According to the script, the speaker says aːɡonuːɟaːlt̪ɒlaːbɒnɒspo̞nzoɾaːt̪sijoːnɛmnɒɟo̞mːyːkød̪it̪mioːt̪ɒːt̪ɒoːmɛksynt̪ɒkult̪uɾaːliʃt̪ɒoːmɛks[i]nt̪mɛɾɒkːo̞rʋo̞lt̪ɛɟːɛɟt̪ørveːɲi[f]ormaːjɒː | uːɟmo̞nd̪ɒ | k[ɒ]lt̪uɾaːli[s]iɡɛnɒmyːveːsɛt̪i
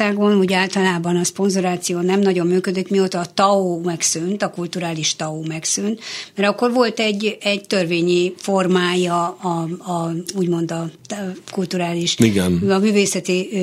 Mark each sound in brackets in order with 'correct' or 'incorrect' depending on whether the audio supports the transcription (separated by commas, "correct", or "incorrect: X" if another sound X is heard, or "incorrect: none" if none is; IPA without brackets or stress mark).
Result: incorrect: y, correct, incorrect: u, incorrect: ʃ